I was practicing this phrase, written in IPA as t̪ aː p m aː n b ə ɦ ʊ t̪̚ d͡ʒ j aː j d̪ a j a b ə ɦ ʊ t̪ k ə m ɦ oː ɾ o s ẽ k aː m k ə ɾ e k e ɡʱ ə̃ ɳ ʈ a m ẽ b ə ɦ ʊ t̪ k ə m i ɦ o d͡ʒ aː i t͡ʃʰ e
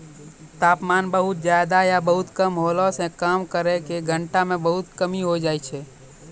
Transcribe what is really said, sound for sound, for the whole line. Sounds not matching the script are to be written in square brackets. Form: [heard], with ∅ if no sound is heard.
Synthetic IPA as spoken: t̪ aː p m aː n b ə ɦ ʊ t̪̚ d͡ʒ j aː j d̪ a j a b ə ɦ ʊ t̪ k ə m ɦ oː [l] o s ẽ k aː m k ə ɾ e k e ɡʱ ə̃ ɳ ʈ a m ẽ b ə ɦ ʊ t̪ k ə m i ɦ o d͡ʒ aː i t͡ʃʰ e